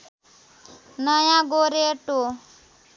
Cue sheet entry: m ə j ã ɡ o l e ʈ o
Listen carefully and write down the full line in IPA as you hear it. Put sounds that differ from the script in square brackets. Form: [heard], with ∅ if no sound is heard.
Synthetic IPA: [n] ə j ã ɡ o [ɾ] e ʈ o